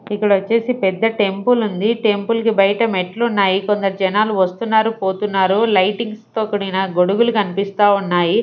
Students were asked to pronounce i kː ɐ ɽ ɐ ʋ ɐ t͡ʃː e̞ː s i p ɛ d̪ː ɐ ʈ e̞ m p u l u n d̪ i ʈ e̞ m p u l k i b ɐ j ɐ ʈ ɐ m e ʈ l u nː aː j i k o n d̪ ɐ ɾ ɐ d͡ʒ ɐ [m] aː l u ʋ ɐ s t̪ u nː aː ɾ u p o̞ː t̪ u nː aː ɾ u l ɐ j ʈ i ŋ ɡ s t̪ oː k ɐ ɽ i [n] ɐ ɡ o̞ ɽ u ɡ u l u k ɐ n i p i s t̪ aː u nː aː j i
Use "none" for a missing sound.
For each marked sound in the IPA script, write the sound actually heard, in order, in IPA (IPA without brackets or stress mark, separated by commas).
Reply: n, n